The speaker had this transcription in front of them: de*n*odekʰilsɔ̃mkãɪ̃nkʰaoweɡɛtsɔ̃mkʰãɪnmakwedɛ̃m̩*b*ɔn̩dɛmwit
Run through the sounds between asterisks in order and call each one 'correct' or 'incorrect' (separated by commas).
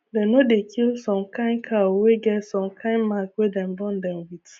correct, correct